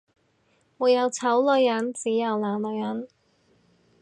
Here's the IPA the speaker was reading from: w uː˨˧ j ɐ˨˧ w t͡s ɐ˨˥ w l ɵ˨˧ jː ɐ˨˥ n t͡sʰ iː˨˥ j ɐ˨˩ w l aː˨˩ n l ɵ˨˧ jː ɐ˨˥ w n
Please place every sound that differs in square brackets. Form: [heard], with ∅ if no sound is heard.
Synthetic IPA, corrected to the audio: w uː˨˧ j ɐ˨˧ w [t͡sʰ] ɐ˨˥ w l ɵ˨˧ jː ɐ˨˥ n [t͡s] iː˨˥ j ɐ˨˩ w l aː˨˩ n l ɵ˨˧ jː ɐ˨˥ [∅] n

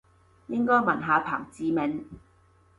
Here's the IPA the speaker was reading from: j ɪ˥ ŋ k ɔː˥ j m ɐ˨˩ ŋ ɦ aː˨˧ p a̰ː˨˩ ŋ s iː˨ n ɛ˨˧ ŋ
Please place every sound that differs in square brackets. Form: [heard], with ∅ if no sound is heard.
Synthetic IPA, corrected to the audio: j ɪ˥ ŋ k ɔː˥ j m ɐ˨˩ [n] ɦ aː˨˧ [pʰ] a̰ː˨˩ ŋ [t͡s] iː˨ [m] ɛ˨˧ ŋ

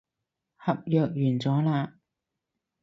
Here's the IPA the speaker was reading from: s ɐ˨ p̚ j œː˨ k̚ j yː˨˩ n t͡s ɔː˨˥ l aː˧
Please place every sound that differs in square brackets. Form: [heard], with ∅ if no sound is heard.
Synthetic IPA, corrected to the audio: [h] ɐ˨ p̚ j œː˨ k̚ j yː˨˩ n t͡s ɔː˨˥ l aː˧

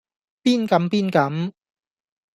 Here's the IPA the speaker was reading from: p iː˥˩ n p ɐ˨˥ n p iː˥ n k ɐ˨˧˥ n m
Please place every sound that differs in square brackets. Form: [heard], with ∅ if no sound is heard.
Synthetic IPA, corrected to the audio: p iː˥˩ n [k] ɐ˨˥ [m] p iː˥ n k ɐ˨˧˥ [∅] m

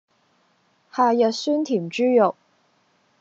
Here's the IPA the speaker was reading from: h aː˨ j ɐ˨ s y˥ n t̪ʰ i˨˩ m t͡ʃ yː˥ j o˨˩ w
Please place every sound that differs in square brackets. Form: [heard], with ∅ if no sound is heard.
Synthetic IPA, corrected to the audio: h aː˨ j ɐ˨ s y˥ n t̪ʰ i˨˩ m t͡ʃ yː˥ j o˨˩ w

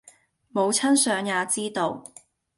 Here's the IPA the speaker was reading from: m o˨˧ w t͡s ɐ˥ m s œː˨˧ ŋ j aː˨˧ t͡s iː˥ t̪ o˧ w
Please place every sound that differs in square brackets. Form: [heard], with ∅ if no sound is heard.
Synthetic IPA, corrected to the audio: m o˨˧ w [t͡sʰ] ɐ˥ [n] s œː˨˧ ŋ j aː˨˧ t͡s iː˥ t̪ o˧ w

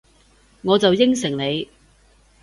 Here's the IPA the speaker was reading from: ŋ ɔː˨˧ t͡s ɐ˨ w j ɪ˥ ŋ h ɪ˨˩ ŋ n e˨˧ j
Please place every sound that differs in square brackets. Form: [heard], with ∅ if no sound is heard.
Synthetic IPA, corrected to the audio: ŋ ɔː˨˧ t͡s ɐ˨ w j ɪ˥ ŋ [s] ɪ˨˩ ŋ n e˨˧ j

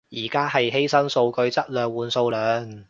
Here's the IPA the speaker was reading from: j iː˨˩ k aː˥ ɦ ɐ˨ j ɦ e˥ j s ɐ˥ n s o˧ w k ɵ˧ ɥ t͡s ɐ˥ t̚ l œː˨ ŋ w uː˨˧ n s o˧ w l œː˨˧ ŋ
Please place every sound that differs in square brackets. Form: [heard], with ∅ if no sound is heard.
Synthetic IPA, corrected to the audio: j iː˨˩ k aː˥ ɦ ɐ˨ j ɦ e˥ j s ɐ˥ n s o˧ w k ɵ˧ ɥ t͡s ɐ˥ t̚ l œː˨ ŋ w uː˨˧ n s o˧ w l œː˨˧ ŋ

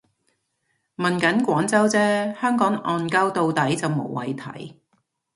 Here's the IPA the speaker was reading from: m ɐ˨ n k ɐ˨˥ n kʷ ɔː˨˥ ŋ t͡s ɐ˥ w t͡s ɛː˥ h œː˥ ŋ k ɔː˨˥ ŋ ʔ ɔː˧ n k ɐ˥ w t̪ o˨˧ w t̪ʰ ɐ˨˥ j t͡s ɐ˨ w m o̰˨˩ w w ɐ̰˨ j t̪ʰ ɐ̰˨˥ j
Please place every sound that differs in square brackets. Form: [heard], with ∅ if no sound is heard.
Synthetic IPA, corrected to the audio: m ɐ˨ n k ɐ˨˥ n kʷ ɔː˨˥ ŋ t͡s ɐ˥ w t͡s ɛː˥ h œː˥ ŋ k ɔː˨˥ ŋ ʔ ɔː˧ n k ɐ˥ w t̪ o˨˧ w [t̪] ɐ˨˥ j t͡s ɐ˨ w m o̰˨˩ w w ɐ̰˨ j t̪ʰ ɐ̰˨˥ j

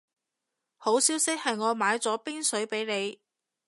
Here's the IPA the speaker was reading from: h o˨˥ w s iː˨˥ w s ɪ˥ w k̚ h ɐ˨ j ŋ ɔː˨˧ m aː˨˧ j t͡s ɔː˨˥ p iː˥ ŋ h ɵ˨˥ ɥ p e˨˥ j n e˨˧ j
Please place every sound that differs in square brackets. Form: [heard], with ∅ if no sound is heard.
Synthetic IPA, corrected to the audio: h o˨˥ w s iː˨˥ w s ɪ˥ [∅] k̚ h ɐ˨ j ŋ ɔː˨˧ m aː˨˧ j t͡s ɔː˨˥ p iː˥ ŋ [s] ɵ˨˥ ɥ p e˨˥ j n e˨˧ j

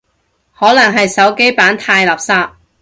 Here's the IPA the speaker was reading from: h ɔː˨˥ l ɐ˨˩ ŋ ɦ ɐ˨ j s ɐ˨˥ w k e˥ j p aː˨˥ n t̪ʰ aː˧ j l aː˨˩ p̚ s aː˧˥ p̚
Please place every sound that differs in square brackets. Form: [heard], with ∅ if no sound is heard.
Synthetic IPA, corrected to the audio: h ɔː˨˥ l ɐ˨˩ ŋ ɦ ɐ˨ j s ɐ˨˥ w k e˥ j p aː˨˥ n t̪ʰ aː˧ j l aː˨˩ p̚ s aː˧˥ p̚

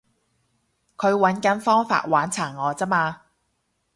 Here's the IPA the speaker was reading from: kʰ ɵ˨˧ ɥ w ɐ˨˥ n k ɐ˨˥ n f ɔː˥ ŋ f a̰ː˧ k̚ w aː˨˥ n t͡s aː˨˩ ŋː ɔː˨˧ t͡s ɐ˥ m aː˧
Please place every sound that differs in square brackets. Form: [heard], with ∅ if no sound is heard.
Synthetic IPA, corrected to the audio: kʰ ɵ˨˧ ɥ w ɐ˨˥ n k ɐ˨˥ n f ɔː˥ ŋ f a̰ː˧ [t̚] w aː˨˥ n [t͡sʰ] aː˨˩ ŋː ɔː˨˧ t͡s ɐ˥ m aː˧

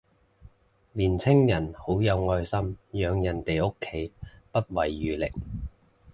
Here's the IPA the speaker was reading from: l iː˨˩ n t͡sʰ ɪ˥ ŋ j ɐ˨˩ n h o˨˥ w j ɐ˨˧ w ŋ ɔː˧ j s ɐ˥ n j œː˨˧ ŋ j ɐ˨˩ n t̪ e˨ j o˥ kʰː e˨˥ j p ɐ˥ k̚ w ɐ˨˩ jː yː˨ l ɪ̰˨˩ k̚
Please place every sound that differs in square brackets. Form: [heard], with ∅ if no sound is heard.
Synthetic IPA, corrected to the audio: l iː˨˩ n t͡sʰ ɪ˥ ŋ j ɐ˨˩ n h o˨˥ w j ɐ˨˧ w ŋ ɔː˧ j s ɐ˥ [m] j œː˨˧ ŋ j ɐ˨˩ n t̪ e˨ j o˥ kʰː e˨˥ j p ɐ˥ [t̚] w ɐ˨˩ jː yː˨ l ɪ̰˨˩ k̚

